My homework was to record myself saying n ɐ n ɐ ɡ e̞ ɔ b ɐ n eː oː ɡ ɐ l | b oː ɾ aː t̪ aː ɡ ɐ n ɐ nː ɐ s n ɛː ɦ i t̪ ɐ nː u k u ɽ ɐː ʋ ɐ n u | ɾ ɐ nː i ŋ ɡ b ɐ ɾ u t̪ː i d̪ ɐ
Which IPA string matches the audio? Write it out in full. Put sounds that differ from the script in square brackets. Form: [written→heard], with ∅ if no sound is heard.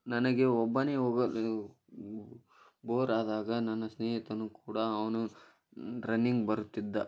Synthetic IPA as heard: n ɐ n ɐ ɡ e̞ ɔ [b→bː] ɐ n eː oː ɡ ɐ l | b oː ɾ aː [t̪→d̪] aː ɡ ɐ n ɐ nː ɐ s n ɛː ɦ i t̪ ɐ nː u k [u→uː] ɽ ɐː ʋ ɐ n u | ɾ ɐ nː i ŋ ɡ b ɐ ɾ u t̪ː i [d̪→d̪ː] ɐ